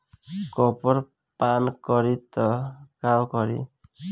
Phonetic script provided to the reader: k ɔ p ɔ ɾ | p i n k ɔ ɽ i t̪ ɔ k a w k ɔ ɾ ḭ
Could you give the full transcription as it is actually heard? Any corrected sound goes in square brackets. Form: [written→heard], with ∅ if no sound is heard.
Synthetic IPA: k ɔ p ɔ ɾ | p [i→a] n k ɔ [ɽ→ɾ] i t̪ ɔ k a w k ɔ ɾ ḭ